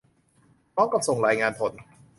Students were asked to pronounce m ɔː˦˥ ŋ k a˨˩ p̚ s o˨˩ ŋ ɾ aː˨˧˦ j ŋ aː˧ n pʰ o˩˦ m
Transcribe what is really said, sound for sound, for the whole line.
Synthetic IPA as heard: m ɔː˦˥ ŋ k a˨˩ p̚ s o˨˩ ŋ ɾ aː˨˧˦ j ŋ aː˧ n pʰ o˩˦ n